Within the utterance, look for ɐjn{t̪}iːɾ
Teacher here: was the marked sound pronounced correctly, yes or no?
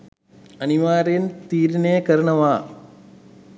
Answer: yes